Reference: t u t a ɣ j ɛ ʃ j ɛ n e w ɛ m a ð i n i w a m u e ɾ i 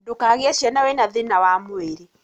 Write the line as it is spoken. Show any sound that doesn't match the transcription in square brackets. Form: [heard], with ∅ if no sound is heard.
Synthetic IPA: [d] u [k] a ɣ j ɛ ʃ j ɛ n [a] w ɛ [n] a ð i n [a] w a m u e ɾ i

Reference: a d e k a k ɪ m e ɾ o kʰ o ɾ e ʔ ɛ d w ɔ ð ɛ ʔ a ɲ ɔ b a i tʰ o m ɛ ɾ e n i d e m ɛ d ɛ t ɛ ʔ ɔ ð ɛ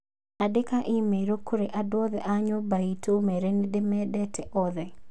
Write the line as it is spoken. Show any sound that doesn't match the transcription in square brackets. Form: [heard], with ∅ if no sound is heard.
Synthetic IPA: a d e k a [ʔ] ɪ m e ɾ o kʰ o ɾ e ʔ [a] d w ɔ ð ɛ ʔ a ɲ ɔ b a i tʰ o m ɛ ɾ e n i d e m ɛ d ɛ t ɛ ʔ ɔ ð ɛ

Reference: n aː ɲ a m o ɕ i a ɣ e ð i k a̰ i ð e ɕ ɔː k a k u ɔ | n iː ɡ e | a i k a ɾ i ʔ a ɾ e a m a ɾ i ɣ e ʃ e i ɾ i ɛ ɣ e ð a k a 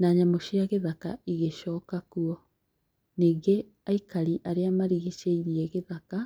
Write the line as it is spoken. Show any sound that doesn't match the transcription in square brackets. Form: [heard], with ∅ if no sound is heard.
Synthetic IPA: n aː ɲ a m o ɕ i a ɣ e ð [a] k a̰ i [ɣ] e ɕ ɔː k a k u ɔ | n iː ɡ e | a i k a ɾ i ʔ a ɾ e a m a ɾ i ɣ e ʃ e i ɾ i ɛ ɣ e ð a k a

